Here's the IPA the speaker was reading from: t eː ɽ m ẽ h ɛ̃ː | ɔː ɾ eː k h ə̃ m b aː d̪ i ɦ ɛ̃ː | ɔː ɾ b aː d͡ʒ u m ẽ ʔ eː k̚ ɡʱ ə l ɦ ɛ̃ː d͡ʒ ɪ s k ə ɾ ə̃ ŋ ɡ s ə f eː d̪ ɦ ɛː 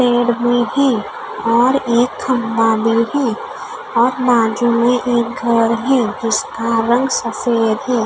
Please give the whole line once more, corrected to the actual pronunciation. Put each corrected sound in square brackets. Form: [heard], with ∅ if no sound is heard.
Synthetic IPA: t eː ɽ m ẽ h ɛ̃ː | ɔː ɾ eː k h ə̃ m b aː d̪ i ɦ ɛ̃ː | ɔː ɾ b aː d͡ʒ u m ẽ ʔ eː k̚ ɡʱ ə [ɾ] ɦ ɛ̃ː d͡ʒ ɪ s k [a] ɾ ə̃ ŋ ɡ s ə f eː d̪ ɦ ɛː